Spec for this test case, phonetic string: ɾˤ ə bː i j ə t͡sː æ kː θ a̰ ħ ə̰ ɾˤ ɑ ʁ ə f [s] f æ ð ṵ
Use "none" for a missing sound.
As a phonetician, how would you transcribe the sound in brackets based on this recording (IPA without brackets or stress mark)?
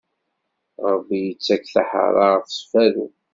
s